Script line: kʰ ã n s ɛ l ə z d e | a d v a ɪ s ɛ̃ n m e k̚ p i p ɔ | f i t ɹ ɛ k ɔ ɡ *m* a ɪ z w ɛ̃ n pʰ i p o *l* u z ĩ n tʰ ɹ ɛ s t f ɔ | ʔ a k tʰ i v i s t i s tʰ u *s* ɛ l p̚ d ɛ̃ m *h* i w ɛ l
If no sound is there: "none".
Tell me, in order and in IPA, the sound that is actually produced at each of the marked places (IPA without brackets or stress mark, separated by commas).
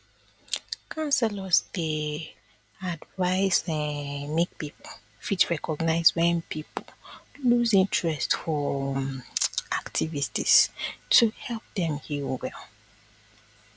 n, l, h, h